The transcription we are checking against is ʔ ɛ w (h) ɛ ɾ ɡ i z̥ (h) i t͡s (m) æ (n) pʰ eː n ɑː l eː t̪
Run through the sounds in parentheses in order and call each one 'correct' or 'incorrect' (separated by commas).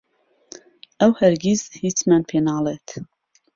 correct, correct, correct, correct